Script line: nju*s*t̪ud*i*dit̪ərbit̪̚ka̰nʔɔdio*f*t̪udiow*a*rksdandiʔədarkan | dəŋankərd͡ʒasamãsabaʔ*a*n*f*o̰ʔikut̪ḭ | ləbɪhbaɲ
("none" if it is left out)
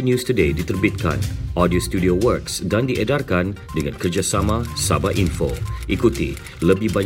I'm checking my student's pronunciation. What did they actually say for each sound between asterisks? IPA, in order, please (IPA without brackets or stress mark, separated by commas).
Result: s, e, s, ə, i, f